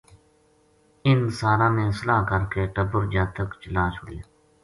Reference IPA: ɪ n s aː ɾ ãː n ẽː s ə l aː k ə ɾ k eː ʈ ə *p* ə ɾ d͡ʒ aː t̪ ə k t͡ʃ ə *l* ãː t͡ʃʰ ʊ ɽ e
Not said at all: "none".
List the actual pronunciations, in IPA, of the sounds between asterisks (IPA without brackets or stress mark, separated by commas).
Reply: b, l